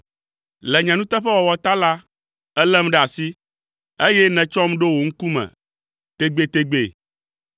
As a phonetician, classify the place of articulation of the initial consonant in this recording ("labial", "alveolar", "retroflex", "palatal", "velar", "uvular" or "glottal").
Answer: alveolar